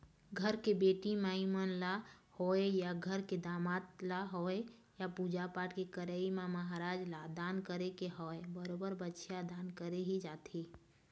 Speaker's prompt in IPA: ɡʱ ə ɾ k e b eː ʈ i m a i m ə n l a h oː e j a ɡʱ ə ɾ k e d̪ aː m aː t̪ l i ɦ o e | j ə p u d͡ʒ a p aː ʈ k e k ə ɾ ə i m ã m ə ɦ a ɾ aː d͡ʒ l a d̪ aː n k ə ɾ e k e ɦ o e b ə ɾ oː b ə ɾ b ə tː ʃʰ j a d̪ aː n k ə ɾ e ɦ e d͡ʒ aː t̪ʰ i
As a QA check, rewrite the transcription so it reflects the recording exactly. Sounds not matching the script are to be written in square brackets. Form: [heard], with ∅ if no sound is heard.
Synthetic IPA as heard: ɡʱ ə ɾ k e b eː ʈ i m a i m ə n l a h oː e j a ɡʱ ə ɾ k e d̪ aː m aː t̪ l [a] ɦ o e | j [a] p u d͡ʒ a p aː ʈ k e k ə ɾ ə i m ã m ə ɦ a ɾ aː d͡ʒ l a d̪ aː n k ə ɾ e k e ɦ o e b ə ɾ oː b ə ɾ b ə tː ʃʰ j a d̪ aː n k ə ɾ e ɦ [i] d͡ʒ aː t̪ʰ i